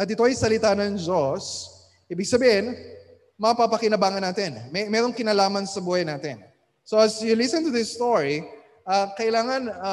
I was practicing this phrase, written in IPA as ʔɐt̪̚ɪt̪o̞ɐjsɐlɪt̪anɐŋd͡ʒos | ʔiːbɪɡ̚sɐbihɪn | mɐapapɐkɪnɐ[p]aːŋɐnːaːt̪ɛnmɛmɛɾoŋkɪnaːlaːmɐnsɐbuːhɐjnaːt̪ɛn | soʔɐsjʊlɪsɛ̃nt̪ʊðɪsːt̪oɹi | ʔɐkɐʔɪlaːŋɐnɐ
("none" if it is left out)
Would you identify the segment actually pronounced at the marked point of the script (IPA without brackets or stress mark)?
b